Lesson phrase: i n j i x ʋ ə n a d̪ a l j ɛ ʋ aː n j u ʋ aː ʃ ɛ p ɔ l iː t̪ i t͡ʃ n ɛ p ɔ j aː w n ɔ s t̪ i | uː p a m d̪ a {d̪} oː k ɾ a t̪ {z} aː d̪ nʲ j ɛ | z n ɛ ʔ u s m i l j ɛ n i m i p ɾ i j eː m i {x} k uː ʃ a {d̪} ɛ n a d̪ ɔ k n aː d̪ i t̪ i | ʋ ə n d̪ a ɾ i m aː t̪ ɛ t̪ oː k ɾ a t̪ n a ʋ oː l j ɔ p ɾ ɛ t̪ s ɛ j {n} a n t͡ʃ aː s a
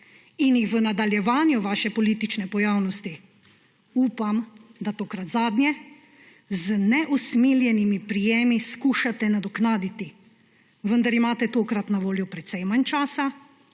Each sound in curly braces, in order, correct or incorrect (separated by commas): incorrect, correct, incorrect, incorrect, incorrect